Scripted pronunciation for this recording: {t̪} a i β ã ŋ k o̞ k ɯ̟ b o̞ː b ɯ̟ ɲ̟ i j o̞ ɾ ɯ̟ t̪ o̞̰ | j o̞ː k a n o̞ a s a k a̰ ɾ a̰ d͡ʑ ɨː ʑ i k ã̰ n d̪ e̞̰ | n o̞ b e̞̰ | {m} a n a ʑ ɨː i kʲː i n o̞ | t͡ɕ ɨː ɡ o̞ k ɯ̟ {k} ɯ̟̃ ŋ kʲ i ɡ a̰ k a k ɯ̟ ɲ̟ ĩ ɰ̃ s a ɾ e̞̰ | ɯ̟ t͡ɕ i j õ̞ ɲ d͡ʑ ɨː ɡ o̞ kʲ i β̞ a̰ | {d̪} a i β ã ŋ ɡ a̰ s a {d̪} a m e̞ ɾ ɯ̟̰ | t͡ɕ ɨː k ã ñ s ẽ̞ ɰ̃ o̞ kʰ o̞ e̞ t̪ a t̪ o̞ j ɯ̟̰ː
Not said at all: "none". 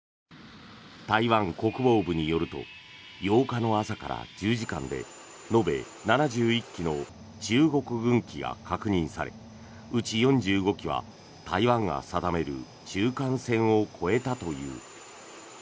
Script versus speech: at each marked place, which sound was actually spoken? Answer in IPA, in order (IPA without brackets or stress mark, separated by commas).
t̪, n, ɡ, t̪, d̪